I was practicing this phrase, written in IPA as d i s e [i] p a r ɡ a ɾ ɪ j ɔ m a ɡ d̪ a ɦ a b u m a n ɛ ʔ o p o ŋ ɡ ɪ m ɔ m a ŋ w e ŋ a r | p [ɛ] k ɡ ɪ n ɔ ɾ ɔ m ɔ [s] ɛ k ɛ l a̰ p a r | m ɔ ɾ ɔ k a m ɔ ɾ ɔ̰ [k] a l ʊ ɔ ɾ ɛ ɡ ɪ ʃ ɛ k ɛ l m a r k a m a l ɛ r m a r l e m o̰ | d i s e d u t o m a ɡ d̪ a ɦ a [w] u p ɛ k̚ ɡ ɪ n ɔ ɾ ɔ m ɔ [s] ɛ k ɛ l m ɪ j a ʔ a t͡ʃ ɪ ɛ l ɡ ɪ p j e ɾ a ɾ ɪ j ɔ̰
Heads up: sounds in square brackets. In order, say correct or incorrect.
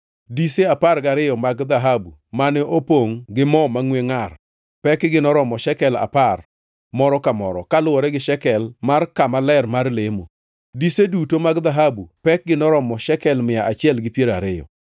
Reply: incorrect, correct, incorrect, correct, incorrect, incorrect

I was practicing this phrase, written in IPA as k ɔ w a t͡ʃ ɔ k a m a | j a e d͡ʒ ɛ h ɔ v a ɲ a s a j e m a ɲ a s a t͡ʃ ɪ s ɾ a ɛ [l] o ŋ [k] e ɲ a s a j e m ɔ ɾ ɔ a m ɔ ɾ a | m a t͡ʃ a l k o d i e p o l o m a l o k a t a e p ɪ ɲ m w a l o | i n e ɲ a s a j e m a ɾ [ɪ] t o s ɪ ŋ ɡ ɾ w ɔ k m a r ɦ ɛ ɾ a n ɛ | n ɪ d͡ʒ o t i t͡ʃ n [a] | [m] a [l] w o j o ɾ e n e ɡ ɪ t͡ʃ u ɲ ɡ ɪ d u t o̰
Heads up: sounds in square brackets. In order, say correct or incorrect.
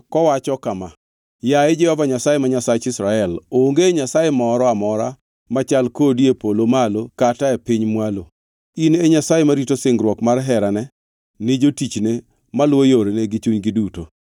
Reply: correct, incorrect, incorrect, incorrect, correct, correct

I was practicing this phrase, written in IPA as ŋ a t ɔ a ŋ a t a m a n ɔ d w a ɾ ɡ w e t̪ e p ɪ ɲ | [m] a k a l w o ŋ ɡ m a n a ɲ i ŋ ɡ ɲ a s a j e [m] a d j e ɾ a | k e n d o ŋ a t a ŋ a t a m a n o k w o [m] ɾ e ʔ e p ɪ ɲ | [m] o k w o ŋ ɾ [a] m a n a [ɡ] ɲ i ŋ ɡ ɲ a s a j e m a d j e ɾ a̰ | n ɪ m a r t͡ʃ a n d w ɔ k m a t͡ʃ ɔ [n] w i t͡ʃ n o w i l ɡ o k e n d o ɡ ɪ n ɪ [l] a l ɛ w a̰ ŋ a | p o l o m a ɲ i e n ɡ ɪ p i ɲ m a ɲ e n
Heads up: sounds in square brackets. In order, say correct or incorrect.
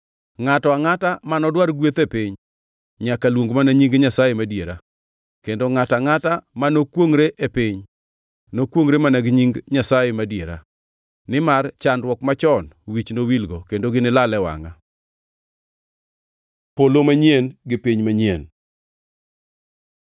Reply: incorrect, correct, incorrect, incorrect, incorrect, correct, correct, correct

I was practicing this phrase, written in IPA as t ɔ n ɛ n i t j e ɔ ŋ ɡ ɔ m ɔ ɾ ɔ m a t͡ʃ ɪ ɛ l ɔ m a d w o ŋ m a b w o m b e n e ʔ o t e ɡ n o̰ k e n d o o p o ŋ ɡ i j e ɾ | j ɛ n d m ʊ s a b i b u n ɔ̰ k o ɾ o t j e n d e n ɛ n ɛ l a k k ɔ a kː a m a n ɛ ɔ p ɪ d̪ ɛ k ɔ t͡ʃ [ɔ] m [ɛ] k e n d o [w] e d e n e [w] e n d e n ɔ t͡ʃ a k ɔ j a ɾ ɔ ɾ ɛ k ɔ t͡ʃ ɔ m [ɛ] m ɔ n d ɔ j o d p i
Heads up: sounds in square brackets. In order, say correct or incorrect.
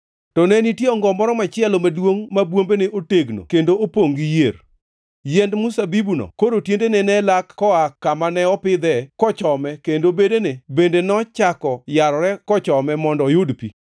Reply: correct, correct, incorrect, incorrect, correct

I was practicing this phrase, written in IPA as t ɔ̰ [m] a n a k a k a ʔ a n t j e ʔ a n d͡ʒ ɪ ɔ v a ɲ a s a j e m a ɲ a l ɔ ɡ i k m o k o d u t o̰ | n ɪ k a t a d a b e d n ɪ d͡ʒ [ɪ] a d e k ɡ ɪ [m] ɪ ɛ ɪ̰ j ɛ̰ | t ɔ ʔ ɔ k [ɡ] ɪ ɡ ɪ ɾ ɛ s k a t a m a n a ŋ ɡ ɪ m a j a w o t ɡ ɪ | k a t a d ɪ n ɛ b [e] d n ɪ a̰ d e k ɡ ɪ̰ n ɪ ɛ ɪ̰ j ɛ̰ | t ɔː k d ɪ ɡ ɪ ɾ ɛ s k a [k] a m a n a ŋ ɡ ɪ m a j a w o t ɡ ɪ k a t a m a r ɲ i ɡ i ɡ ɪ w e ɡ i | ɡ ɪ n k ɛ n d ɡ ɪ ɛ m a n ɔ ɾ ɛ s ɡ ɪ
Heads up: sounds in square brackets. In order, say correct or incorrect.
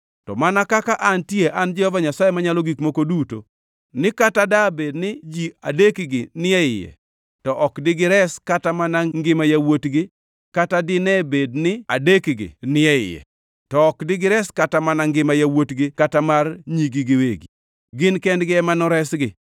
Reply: correct, incorrect, incorrect, incorrect, correct, incorrect

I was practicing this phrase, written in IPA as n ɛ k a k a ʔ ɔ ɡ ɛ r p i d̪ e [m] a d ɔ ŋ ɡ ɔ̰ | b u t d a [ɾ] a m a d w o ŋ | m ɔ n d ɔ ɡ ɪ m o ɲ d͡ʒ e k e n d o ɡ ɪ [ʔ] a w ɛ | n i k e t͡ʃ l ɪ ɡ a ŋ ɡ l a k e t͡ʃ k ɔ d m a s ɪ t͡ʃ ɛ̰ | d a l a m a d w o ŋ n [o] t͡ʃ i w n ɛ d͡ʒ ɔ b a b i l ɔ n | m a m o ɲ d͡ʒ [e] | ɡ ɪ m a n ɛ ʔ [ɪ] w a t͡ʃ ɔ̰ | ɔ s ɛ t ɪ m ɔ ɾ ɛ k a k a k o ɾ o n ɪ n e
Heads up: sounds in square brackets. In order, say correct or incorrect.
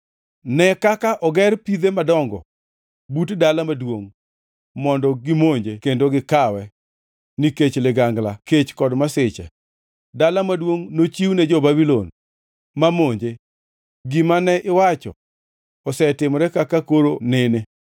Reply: correct, incorrect, incorrect, correct, correct, correct

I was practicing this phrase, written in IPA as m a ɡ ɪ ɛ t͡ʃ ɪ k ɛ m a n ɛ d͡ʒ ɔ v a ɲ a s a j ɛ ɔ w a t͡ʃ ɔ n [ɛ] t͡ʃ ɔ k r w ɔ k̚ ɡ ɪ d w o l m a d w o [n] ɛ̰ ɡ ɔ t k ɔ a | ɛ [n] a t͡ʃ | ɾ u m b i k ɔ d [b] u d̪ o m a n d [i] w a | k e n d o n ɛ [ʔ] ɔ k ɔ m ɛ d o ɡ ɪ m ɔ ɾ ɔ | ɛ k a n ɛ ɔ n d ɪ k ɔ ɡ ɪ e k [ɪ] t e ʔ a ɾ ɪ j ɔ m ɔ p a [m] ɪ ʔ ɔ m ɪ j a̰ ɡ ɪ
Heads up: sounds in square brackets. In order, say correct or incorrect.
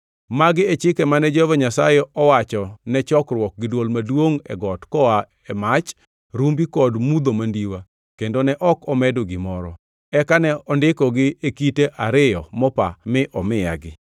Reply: correct, incorrect, incorrect, incorrect, correct, correct, incorrect, correct

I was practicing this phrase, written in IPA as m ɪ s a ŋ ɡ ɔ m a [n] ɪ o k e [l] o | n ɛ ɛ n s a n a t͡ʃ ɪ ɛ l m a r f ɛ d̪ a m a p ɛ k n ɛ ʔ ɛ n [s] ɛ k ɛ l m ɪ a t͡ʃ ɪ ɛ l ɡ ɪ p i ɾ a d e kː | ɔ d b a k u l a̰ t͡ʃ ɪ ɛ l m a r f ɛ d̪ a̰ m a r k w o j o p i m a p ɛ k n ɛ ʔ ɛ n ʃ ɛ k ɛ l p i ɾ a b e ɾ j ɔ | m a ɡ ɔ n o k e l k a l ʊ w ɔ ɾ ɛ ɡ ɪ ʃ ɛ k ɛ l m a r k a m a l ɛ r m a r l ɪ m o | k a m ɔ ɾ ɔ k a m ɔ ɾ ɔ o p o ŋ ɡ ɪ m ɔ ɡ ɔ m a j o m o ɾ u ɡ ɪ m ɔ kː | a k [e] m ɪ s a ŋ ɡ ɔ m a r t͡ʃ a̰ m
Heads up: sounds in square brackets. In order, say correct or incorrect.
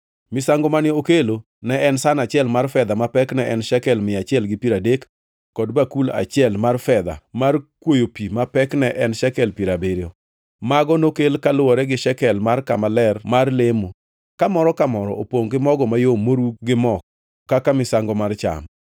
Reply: correct, correct, incorrect, incorrect

